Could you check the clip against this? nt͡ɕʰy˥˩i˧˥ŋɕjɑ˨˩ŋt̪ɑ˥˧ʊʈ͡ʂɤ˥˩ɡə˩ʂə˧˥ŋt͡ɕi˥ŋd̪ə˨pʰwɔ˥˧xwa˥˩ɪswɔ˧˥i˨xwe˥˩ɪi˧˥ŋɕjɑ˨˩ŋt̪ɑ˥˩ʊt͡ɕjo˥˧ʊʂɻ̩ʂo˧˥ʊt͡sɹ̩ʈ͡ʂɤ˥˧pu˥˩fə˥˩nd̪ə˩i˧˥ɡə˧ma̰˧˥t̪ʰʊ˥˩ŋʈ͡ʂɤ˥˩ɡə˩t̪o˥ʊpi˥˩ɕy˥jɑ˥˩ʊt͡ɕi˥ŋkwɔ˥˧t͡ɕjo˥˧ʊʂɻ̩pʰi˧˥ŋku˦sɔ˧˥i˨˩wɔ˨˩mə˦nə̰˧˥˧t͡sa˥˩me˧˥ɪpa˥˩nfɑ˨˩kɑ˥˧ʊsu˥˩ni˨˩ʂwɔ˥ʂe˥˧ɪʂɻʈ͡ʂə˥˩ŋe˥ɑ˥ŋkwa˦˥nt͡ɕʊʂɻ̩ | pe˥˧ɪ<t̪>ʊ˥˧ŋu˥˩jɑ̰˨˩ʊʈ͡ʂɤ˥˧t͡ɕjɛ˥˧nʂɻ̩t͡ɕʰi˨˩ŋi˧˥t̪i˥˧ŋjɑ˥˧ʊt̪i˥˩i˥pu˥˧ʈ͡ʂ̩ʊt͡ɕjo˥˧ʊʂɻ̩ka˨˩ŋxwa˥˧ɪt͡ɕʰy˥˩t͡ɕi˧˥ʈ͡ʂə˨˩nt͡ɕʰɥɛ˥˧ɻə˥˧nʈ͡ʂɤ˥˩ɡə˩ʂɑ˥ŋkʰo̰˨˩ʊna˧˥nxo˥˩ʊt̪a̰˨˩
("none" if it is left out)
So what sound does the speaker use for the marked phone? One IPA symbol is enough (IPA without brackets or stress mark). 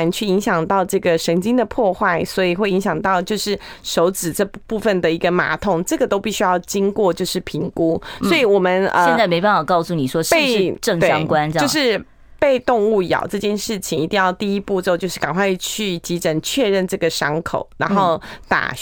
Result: t̪